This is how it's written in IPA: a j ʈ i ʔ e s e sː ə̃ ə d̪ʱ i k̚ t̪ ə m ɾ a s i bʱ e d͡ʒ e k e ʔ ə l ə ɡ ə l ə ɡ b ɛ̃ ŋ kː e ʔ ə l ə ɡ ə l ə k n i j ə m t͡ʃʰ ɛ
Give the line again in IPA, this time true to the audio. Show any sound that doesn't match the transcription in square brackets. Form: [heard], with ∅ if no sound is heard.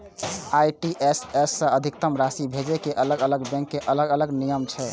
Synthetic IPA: a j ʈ i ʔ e s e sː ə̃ ə d̪ʱ i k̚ t̪ ə m ɾ a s i bʱ e d͡ʒ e k e ʔ ə l ə ɡ ə l ə ɡ b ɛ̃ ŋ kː e ʔ ə l ə ɡ ə l ə [ɡ] n i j ə m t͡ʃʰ ɛ